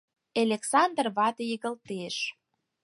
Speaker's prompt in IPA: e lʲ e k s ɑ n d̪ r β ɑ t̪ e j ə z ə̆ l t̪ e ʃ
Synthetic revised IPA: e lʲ e k s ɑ n d̪ r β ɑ t̪ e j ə ɣ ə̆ l t̪ e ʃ